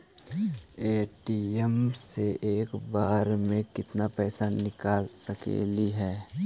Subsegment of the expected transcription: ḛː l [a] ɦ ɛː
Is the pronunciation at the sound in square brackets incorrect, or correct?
incorrect